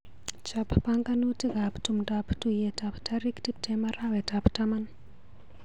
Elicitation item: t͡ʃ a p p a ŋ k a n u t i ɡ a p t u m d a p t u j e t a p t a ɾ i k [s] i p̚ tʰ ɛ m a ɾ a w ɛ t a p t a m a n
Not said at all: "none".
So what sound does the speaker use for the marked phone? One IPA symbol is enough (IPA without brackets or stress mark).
t